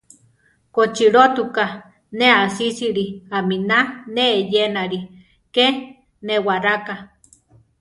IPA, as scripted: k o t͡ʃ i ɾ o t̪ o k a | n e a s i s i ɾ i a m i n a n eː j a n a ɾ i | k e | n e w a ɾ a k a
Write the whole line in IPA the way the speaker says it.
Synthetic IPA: k o t͡ʃ i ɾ o t̪ u k a | n e a s i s i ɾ i a m i n a n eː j e n a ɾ i | k e | n e w a ɾ a k a